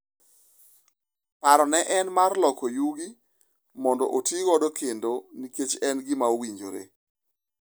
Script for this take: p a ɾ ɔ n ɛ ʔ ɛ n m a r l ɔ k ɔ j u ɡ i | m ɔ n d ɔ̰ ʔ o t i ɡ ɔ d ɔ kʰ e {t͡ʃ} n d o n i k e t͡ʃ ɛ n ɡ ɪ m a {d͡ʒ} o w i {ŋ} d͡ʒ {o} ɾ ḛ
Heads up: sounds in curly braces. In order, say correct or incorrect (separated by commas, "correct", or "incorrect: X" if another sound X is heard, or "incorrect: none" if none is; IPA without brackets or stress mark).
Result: incorrect: none, incorrect: none, incorrect: ɲ, correct